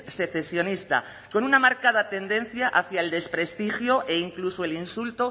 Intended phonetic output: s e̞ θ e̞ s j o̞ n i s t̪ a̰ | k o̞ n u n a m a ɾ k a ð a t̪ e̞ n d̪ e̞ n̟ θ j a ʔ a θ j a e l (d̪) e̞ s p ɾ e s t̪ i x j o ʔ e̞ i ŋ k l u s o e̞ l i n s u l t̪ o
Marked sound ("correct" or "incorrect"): correct